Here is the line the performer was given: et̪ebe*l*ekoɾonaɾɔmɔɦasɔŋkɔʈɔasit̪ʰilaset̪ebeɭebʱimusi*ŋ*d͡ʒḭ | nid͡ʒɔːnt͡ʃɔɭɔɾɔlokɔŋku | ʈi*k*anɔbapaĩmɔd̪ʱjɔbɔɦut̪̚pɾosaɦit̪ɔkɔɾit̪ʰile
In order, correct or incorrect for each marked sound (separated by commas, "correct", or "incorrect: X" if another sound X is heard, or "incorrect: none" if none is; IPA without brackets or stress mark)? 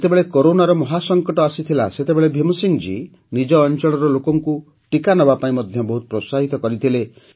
incorrect: ɭ, correct, correct